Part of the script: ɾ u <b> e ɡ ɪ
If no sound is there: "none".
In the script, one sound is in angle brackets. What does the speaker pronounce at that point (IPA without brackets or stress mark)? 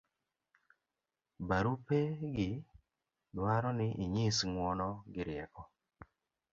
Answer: p